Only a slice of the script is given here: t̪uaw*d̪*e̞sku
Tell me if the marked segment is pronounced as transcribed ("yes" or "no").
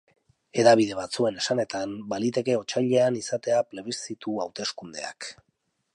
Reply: no